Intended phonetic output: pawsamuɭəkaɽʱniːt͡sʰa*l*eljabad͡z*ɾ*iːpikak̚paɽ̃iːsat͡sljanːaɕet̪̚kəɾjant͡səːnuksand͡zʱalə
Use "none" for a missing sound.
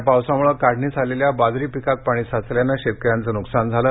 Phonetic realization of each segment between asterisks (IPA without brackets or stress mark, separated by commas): l, ɾ